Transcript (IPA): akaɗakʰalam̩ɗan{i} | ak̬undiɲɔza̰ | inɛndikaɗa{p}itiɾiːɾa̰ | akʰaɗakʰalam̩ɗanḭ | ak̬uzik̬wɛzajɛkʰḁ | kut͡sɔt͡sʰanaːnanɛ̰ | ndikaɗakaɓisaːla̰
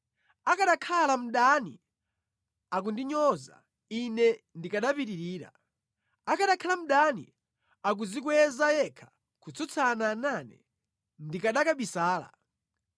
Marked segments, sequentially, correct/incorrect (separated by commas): correct, correct